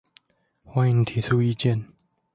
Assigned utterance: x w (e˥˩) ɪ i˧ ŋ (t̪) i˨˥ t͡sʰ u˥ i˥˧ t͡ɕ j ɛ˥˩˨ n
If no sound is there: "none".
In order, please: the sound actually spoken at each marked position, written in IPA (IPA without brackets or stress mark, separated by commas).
a˥˩, t̪ʰ